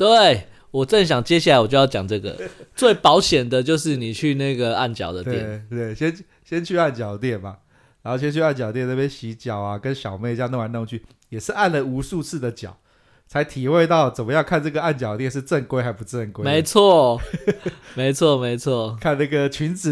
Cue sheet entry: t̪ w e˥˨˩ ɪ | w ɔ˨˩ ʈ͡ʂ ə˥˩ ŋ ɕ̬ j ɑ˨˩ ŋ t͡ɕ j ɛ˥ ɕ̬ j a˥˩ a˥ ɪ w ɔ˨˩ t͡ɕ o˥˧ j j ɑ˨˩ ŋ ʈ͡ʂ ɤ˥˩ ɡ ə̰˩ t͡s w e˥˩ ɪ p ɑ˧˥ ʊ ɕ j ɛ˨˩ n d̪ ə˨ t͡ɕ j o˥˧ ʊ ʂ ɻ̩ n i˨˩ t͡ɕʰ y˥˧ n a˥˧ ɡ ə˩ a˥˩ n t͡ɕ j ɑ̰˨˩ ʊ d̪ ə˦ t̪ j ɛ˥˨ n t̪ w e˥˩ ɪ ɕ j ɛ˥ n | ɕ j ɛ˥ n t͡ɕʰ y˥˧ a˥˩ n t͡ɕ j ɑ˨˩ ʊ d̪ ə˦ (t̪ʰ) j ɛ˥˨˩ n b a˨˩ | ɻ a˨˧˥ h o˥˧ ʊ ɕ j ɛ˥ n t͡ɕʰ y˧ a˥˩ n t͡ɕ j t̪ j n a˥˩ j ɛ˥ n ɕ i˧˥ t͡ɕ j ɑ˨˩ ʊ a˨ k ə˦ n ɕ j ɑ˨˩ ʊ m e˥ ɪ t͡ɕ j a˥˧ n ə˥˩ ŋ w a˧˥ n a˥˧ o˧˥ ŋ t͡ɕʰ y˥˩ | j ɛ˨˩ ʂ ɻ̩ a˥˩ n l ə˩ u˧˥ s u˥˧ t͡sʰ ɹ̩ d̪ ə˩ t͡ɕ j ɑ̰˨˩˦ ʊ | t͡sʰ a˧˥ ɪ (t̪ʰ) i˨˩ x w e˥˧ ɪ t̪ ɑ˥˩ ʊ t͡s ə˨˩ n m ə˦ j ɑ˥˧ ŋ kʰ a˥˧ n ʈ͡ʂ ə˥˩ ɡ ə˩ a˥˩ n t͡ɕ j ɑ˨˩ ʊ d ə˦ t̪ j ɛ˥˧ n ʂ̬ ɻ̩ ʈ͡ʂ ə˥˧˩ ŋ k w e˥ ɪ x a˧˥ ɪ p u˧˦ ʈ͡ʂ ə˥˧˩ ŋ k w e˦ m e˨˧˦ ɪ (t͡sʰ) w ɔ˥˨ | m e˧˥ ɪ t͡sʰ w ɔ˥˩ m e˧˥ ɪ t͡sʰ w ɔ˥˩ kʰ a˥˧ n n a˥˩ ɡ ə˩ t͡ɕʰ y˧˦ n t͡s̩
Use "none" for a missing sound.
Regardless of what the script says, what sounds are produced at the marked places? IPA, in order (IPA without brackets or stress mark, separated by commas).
t̪, t̪ʰ, t͡sʰ